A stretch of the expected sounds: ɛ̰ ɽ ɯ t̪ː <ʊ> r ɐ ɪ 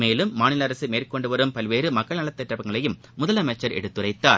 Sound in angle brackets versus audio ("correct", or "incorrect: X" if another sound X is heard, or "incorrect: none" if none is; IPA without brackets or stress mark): incorrect: ɯ